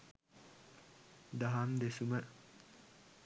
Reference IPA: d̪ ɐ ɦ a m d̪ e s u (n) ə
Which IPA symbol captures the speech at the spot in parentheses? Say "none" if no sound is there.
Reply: m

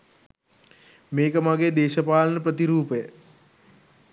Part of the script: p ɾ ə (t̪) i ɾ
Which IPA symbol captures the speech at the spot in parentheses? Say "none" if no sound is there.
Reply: t̪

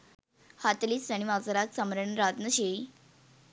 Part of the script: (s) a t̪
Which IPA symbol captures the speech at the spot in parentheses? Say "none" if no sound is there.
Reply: h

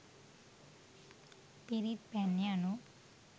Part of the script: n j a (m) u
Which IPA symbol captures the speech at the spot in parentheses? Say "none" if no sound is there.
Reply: n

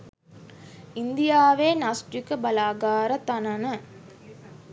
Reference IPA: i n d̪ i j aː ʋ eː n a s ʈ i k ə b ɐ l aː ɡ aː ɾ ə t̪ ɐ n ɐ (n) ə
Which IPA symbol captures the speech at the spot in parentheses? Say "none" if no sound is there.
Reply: n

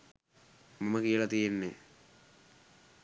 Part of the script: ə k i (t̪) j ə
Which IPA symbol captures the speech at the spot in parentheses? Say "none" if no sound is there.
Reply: none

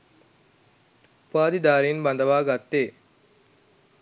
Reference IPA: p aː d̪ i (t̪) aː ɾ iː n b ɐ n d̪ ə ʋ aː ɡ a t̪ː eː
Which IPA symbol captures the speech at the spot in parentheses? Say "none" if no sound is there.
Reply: d̪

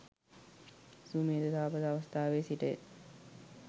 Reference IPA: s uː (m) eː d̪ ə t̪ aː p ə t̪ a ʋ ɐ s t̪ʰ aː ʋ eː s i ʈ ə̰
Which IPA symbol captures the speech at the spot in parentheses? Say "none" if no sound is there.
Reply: m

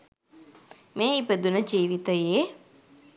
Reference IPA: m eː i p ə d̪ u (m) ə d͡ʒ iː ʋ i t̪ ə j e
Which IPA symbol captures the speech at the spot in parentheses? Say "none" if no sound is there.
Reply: n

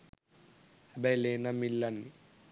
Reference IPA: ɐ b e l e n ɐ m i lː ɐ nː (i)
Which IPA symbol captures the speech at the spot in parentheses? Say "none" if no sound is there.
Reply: i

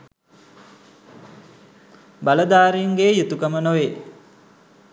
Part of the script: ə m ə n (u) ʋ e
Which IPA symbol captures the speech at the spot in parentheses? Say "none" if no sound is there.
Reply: o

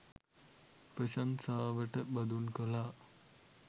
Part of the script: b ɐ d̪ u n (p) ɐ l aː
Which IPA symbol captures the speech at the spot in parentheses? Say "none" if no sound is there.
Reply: k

